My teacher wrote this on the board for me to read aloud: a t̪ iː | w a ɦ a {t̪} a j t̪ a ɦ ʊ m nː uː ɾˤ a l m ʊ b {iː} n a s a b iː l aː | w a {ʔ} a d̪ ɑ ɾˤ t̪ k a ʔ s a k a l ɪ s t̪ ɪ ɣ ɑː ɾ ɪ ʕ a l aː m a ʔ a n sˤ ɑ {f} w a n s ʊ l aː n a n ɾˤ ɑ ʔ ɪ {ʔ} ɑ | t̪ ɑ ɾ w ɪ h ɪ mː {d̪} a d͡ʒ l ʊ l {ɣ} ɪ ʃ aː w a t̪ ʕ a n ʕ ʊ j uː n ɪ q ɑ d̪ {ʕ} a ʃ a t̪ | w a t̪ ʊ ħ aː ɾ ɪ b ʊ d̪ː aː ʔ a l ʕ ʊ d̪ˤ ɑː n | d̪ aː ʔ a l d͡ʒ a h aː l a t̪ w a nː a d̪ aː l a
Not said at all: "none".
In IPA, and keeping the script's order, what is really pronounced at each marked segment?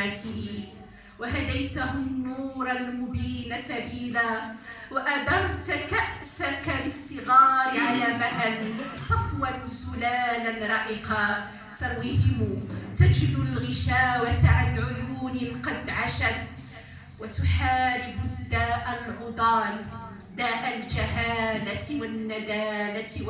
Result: d̪, iː, ʔ, f, q, t̪, ɣ, ʕ

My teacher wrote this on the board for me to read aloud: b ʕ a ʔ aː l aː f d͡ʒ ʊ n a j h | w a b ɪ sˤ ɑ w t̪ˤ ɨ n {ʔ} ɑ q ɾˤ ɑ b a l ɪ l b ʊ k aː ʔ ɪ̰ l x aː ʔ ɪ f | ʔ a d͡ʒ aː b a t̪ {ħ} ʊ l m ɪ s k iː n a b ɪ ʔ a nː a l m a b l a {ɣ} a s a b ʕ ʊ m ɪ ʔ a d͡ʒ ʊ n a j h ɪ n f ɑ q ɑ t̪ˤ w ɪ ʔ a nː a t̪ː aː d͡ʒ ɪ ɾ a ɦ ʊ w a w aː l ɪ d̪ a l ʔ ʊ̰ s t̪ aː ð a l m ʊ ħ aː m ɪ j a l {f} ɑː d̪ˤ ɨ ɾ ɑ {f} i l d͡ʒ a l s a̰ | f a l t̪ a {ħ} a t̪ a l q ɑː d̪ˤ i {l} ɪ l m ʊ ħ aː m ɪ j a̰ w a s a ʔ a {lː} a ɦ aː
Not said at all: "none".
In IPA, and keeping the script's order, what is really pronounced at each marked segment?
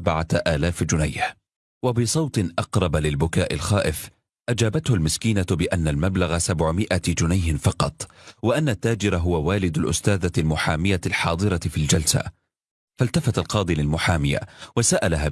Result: ʔ, h, ɣ, ħ, f, f, l, l

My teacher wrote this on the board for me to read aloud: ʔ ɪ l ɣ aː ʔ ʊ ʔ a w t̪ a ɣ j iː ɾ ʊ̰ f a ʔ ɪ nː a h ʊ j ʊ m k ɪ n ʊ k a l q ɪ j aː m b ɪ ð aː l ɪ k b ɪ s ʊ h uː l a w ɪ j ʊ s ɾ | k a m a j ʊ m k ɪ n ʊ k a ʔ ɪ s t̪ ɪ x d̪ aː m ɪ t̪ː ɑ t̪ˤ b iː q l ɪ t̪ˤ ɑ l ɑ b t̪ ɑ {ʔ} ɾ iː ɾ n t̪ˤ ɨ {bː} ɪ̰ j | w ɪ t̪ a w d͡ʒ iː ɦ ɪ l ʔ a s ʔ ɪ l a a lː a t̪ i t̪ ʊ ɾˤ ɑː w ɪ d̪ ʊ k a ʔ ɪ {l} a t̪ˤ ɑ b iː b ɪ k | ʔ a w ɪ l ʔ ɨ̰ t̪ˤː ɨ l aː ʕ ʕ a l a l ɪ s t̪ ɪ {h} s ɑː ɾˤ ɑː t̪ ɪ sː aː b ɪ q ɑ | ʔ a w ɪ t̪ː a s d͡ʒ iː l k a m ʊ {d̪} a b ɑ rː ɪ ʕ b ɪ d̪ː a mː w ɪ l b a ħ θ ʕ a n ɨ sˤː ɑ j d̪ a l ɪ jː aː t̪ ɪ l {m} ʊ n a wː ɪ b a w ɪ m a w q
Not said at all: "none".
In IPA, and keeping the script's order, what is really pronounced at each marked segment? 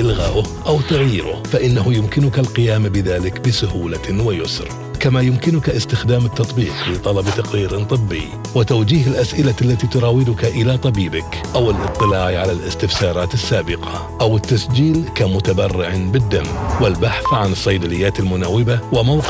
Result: q, bː, l, f, t̪, m

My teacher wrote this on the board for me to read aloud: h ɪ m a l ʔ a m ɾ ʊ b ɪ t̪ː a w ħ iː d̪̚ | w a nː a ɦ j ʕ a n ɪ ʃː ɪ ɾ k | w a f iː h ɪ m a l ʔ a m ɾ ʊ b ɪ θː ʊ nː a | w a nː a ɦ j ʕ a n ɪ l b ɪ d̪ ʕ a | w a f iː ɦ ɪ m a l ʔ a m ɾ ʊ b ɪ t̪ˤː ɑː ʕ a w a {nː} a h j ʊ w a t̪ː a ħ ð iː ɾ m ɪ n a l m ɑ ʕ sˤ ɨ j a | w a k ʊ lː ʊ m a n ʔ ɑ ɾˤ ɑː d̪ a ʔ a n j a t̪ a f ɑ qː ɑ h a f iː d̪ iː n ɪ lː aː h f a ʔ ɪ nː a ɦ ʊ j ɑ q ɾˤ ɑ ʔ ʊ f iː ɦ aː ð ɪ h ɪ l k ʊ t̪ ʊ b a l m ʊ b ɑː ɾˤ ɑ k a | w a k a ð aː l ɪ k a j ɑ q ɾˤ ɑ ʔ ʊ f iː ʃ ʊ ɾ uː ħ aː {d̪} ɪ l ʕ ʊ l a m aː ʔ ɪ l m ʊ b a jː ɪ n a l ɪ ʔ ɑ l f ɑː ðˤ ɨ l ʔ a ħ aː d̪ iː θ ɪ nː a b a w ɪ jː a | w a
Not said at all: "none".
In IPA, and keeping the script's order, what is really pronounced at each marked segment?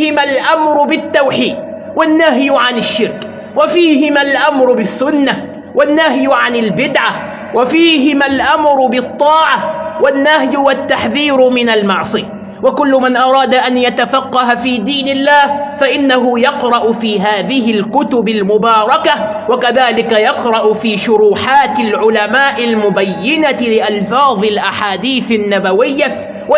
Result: nː, t̪

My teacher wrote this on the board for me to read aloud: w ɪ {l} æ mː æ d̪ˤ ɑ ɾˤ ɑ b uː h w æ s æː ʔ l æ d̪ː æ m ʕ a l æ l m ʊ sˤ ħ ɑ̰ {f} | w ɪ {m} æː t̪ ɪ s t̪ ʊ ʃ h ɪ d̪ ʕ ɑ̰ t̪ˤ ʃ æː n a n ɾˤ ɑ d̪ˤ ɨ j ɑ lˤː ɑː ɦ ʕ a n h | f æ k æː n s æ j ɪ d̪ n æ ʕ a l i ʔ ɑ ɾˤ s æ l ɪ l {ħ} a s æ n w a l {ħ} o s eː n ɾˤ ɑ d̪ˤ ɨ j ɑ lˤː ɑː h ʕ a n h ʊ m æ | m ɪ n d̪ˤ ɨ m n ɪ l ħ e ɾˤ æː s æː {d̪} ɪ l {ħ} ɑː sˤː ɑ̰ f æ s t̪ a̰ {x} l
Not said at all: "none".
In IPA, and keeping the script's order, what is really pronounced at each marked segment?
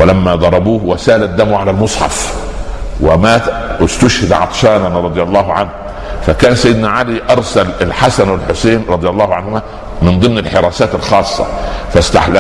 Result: l, f, m, ħ, ħ, t̪, x, ħ

